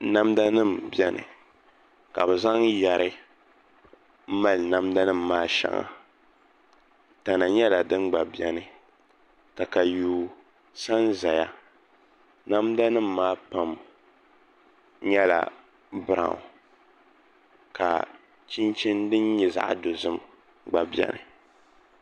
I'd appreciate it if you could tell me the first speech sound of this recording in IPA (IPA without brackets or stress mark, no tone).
n